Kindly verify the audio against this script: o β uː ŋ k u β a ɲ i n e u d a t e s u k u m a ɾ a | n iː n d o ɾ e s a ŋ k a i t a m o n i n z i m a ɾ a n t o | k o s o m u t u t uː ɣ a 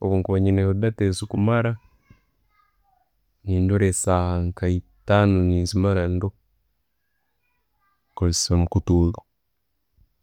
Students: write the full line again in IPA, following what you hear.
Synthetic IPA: o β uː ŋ k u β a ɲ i n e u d a t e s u k u m a ɾ a | n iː n d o ɾ e s a ŋ k a i t a n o n i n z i m a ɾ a n d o | k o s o m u k u t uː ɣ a